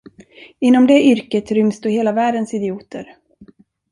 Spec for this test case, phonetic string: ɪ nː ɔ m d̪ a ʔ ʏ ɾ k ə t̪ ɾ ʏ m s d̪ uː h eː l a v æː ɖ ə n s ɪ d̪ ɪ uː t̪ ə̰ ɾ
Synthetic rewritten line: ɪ nː ɔ m d̪ ɛ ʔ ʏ ɾ k ə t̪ ɾ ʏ m s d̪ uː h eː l a v æː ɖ ə n s ɪ d̪ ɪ uː t̪ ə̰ ɾ